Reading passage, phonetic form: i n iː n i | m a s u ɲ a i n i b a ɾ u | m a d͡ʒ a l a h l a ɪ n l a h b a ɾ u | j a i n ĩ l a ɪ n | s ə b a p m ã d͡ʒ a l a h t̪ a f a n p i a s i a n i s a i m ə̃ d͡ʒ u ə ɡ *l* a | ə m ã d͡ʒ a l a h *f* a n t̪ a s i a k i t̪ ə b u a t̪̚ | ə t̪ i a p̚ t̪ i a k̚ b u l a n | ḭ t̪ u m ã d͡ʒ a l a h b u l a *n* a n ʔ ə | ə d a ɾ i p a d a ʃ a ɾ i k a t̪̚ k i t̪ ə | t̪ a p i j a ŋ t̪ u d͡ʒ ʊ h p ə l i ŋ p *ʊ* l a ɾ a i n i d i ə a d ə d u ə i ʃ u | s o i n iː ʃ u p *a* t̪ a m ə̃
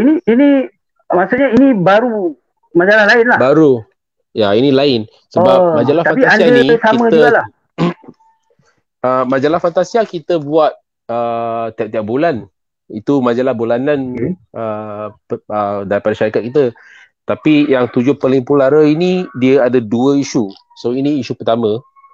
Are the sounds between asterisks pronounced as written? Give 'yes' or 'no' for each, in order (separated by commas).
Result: yes, yes, yes, no, no